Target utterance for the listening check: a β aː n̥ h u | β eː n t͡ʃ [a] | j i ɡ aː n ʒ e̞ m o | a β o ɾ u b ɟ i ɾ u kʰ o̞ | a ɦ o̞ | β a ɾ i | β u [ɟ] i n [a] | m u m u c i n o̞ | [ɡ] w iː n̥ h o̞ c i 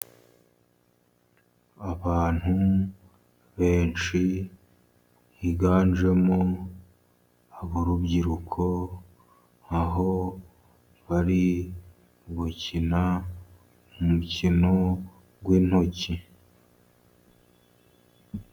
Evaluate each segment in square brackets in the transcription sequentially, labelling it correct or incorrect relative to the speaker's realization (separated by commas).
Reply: incorrect, incorrect, correct, correct